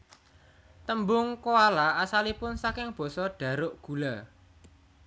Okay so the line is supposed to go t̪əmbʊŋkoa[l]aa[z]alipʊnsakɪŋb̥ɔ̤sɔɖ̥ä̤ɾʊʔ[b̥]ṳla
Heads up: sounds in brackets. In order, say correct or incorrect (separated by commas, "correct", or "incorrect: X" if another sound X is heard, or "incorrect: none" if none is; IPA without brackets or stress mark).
correct, incorrect: s, incorrect: ɡ̥